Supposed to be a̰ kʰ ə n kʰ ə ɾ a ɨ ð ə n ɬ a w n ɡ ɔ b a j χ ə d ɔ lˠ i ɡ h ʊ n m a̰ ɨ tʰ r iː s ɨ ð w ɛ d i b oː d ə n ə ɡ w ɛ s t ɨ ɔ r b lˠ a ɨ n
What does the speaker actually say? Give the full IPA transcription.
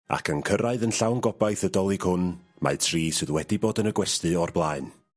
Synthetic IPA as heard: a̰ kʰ ə n kʰ ə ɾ a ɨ ð ə n ɬ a w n ɡ ɔ b a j θ ə d ɔ lˠ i ɡ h ʊ n m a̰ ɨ tʰ r iː s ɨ ð w ɛ d i b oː d ə n ə ɡ w ɛ s t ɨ ɔ r b lˠ a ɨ n